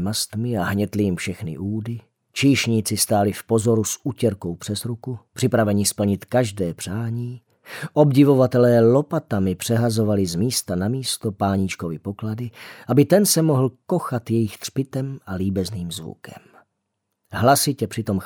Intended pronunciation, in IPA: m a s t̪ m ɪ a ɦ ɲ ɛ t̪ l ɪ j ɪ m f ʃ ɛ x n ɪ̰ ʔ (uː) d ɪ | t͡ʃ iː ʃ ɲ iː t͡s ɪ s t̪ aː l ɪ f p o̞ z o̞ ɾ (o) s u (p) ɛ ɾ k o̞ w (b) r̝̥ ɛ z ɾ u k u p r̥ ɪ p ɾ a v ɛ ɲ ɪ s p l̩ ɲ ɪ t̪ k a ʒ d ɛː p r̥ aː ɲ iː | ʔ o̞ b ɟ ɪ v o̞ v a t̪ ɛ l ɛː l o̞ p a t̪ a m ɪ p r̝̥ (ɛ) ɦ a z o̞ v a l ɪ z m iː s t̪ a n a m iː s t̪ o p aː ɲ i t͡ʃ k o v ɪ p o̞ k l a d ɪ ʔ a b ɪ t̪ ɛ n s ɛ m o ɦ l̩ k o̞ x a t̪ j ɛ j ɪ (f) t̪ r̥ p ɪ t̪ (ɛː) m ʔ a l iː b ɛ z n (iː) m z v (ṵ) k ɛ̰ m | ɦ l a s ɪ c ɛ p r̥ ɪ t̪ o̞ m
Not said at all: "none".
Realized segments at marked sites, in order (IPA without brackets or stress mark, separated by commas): uː, u, c, p, ɛ, x, ɛ, iː, ṵ